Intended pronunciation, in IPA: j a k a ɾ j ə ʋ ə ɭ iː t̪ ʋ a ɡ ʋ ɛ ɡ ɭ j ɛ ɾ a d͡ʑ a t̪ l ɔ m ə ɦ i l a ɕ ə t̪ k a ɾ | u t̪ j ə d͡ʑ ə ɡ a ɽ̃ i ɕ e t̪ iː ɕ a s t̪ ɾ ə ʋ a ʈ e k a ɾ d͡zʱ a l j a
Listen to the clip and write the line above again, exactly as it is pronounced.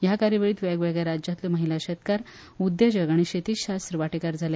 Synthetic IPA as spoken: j a k a ɾ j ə ʋ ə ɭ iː t̪ ʋ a ɡ ʋ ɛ ɡ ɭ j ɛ ɾ a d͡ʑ a t̪ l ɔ m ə ɦ i l a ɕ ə t̪ k a ɾ | u d̪ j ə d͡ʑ ə ɡ a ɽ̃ i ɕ e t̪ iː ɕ a s t̪ ɾ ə ʋ a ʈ e k a ɾ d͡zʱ a l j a